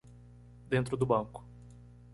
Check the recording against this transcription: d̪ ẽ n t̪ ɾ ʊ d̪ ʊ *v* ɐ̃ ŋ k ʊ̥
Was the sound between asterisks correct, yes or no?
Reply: no